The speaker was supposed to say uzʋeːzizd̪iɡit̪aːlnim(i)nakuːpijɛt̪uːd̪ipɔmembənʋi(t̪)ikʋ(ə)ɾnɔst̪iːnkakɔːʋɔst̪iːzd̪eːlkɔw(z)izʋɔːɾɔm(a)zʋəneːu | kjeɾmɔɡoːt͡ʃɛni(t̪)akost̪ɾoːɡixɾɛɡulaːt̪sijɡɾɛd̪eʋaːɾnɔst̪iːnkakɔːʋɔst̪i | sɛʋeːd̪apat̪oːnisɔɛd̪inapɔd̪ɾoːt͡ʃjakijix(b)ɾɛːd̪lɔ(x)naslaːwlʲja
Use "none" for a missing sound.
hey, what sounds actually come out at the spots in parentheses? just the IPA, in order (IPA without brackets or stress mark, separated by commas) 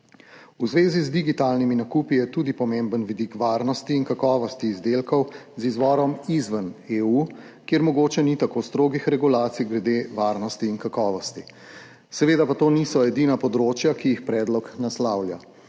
i, d̪, a, z, i, t̪, p, k